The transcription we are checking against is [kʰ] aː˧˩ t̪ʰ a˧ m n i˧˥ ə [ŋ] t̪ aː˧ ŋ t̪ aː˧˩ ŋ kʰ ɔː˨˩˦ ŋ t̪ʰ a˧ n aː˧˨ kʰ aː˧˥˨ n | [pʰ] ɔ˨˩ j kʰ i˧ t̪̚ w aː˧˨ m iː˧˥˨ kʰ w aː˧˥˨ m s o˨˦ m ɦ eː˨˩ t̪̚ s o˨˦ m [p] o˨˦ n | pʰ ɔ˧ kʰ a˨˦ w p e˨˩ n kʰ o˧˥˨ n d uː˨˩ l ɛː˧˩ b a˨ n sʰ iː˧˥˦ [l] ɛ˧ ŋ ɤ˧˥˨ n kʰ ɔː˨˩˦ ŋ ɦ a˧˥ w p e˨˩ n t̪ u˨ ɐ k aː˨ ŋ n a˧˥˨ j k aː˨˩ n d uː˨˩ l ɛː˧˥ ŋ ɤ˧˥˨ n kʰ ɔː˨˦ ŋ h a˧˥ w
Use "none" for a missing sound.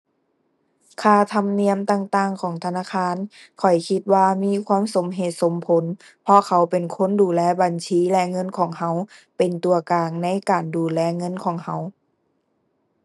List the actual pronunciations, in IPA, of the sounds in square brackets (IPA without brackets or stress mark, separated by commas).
kʰ, m, kʰ, pʰ, l